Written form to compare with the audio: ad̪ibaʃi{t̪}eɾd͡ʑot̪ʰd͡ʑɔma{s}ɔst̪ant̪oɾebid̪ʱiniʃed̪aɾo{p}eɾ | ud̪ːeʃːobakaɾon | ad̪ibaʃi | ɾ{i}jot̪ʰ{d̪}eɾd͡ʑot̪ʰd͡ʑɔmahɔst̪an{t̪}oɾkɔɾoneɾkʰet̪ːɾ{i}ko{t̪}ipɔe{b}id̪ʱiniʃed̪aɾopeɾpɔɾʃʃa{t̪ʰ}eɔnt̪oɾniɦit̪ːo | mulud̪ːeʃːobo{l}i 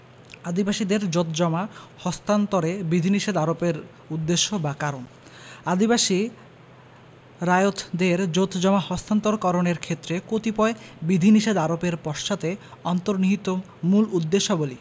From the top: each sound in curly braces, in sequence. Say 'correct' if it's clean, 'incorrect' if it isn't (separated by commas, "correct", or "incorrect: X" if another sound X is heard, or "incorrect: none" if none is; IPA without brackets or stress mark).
incorrect: d̪, incorrect: h, correct, incorrect: a, correct, correct, incorrect: e, correct, correct, incorrect: t̪, correct